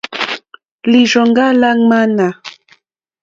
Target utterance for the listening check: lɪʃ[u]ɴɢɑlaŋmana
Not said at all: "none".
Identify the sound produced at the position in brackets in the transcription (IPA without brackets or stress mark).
o